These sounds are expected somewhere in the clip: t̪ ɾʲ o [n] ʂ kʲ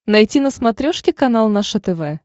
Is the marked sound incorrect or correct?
incorrect